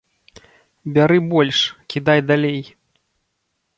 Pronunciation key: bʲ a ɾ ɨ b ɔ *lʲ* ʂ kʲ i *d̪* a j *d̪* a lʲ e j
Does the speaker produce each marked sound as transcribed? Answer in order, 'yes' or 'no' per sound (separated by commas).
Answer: yes, yes, yes